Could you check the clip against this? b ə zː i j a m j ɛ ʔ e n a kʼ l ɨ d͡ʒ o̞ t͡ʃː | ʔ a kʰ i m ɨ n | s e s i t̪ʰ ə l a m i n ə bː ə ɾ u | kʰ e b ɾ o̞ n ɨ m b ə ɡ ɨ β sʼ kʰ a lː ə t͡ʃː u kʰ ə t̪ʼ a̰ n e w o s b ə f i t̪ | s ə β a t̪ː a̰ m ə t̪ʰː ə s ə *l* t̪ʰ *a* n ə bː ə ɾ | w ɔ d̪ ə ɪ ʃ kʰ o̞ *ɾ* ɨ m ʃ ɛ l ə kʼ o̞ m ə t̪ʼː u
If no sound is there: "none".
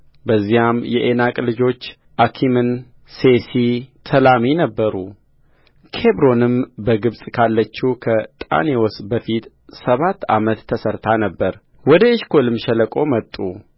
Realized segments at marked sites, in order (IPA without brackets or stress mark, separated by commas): ɾ, a, l